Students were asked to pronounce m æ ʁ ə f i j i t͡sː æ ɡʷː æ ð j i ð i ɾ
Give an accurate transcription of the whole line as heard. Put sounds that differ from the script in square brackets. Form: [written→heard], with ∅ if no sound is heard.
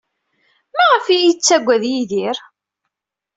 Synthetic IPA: m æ ʁ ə f i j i t͡sː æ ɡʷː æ ð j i ð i ɾ